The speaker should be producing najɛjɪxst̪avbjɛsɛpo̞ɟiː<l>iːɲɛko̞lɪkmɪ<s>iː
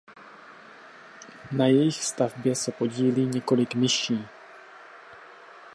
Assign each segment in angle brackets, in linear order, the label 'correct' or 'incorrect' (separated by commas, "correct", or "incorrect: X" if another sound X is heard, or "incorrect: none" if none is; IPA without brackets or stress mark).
correct, incorrect: ʃ